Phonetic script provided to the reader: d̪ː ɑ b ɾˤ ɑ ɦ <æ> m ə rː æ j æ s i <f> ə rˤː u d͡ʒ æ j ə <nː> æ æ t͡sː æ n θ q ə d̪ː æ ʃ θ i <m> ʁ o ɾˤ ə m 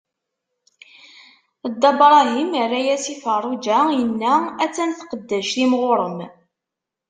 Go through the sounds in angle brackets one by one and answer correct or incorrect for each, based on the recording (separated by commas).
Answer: incorrect, correct, correct, correct